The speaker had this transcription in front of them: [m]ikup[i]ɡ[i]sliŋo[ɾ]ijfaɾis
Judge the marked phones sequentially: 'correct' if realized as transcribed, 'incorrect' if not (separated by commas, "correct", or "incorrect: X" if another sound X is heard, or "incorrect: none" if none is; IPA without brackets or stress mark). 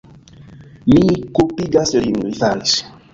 correct, correct, incorrect: a, incorrect: none